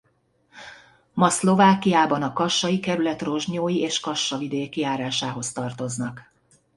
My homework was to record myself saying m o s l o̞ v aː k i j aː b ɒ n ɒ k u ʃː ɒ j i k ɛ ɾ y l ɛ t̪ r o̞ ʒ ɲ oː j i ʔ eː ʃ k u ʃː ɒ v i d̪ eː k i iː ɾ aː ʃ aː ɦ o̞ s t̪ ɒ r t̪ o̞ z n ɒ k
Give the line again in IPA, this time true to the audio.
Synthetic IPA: m ɒ s l o̞ v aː k i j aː b ɒ n ɒ k ɒ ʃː ɒ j i k ɛ ɾ y l ɛ t̪ r o̞ ʒ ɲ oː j i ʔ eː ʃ k ɒ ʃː ɒ v i d̪ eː k i aː ɾ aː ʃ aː ɦ o̞ s t̪ ɒ r t̪ o̞ z n ɒ k